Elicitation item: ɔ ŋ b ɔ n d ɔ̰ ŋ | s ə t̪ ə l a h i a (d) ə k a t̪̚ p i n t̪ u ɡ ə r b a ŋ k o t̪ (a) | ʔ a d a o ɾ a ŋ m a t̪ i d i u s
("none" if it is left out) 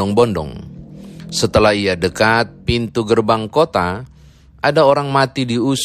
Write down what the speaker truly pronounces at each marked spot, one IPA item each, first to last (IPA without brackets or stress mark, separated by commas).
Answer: d, a